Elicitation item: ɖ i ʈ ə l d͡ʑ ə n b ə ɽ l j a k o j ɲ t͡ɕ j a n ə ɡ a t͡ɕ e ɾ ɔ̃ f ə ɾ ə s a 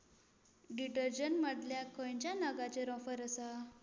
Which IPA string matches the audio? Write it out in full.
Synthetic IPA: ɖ i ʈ ə ɾ d͡ʑ ə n m ə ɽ l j a k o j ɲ t͡ɕ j a n ə ɡ a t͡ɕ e ɾ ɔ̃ f ə ɾ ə s a